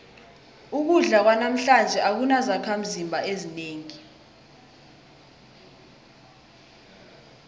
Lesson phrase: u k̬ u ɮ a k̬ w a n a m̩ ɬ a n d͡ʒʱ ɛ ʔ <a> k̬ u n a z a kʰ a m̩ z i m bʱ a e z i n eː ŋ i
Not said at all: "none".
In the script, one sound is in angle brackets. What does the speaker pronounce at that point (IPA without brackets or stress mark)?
a